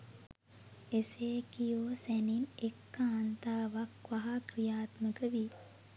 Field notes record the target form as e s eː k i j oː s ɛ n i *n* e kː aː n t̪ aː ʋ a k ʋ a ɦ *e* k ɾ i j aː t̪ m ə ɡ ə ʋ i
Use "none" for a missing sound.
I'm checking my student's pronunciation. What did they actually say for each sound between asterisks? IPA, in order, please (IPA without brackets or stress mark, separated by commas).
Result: n, a